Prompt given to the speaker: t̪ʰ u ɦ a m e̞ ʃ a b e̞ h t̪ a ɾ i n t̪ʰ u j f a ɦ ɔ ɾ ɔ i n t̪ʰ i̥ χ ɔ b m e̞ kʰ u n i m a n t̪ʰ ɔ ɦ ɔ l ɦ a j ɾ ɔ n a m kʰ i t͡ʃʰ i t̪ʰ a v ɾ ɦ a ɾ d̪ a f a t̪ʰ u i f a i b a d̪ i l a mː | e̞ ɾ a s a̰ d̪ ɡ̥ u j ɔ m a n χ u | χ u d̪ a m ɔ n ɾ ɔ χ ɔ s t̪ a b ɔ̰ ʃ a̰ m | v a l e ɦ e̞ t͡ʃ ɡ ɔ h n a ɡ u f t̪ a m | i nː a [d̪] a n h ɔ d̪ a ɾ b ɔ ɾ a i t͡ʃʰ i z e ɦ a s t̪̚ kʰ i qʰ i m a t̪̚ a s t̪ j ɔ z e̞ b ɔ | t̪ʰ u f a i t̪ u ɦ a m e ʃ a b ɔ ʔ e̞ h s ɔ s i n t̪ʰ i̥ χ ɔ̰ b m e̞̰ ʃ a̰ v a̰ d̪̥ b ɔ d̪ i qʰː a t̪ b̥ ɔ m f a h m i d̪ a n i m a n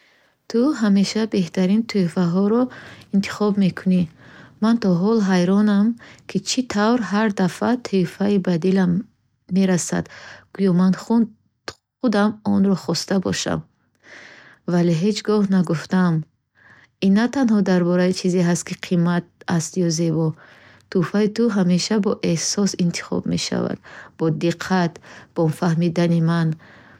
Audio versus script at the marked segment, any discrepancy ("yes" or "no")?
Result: yes